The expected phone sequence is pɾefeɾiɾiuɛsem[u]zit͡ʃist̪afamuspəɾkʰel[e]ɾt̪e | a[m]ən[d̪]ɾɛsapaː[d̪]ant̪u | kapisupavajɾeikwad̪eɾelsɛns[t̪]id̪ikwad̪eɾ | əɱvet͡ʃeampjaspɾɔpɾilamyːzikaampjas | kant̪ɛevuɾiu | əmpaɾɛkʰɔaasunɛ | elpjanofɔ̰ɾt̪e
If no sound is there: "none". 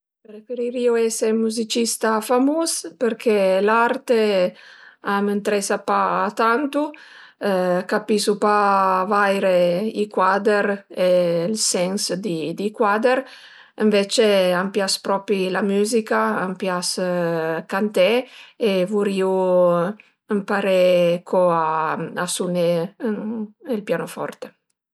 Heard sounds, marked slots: u, a, m, t̪, t̪, d̪

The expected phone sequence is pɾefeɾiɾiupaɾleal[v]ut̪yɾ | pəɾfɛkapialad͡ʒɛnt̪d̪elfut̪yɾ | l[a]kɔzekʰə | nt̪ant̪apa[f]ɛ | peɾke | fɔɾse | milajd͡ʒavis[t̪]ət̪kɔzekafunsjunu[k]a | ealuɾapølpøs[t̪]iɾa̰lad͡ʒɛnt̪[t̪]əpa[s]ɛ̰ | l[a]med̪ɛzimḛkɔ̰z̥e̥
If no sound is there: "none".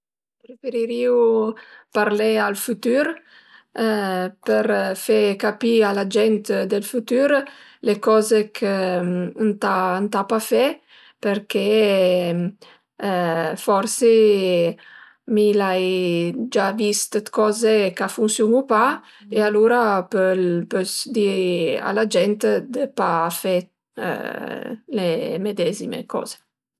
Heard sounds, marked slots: f, e, f, t̪, p, d̪, d̪, f, e

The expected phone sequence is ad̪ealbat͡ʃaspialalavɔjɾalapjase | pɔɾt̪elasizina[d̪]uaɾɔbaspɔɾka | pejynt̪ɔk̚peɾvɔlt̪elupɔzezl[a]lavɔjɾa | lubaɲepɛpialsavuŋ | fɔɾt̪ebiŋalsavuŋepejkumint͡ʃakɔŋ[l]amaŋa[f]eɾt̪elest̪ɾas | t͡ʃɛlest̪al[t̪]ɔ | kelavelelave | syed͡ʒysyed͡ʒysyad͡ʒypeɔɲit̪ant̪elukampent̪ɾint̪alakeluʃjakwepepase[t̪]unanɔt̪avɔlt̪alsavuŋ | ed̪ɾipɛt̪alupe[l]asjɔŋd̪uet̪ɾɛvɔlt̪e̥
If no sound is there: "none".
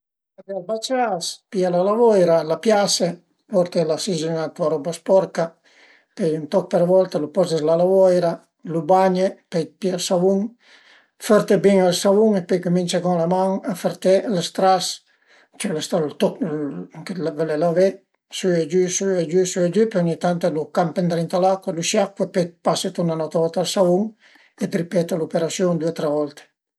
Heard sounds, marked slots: t̪, a, l, f, t̪, t̪, ɾ

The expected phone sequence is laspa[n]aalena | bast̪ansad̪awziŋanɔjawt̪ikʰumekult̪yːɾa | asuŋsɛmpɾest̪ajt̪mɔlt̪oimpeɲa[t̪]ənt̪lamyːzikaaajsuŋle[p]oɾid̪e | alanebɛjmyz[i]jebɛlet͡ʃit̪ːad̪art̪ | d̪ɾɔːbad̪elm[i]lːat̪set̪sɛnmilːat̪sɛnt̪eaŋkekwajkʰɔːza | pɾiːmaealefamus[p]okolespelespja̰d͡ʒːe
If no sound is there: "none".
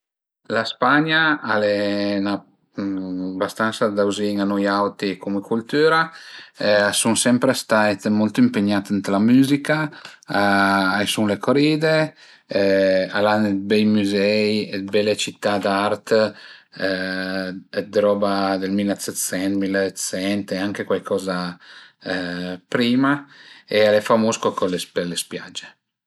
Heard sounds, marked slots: ɲ, t̪, k, ɛ, i, k

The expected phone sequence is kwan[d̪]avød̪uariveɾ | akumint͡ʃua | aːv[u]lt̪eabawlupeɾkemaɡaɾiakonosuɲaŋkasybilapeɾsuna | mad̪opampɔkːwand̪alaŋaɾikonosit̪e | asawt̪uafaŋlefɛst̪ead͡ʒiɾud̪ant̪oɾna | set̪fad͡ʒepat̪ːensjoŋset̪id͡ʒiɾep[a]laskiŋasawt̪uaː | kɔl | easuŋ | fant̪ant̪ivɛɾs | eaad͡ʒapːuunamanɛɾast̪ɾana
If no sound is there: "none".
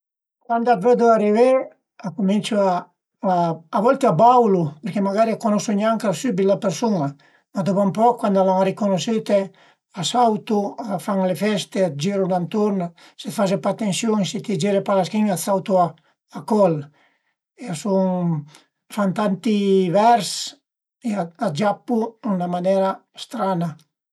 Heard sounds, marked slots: d̪, ɔ, a

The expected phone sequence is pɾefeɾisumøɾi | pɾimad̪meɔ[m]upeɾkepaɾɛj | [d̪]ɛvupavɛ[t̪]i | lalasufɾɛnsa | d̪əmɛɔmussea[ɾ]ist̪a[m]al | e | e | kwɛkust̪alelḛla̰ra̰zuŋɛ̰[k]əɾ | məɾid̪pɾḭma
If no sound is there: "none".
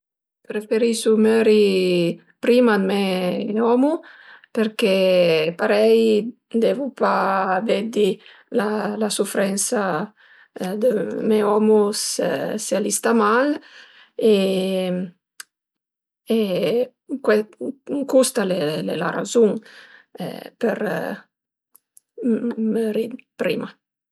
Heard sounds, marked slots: m, d̪, d̪, l, m, p

